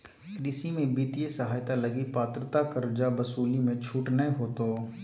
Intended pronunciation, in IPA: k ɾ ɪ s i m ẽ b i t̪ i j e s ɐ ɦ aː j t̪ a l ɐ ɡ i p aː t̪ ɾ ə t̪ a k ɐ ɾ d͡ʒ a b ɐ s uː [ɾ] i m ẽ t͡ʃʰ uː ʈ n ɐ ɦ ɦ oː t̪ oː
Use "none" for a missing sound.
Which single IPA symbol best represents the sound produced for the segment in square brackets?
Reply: l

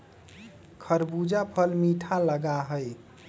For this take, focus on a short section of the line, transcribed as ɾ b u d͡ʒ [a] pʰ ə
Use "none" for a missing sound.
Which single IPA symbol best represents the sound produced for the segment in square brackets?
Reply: a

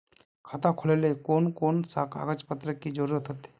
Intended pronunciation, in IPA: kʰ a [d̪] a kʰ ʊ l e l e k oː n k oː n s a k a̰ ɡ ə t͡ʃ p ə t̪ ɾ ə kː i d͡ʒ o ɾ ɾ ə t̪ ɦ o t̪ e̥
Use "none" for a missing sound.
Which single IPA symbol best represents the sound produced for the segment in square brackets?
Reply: t̪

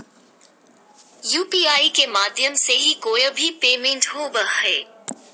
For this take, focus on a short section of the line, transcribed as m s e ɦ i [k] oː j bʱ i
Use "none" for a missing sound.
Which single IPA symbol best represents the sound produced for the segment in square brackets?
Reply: k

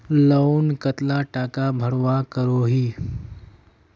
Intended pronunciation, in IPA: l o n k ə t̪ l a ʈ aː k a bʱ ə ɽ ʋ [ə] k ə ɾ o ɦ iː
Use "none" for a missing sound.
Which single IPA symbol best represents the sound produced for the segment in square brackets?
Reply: a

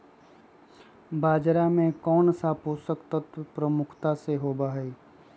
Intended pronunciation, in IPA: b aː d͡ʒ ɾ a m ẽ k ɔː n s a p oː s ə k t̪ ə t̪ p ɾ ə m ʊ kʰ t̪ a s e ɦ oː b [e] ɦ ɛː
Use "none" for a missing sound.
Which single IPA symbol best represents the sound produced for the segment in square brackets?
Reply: a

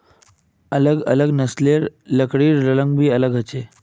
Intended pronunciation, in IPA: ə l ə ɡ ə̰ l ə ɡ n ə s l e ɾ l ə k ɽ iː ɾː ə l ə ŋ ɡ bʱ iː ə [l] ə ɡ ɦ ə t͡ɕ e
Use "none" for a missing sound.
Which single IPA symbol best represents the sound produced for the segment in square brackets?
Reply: l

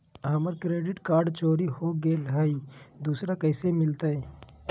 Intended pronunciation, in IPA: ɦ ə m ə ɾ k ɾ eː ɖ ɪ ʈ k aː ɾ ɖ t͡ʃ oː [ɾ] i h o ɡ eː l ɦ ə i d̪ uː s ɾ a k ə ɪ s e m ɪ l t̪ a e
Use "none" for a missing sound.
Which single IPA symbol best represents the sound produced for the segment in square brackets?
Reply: ɾ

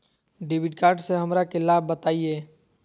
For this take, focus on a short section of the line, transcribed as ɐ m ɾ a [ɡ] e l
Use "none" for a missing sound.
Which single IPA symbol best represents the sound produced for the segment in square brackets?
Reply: k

